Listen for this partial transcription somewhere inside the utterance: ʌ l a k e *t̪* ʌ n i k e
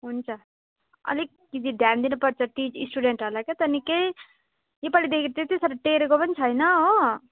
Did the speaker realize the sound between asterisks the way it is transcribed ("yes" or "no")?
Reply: yes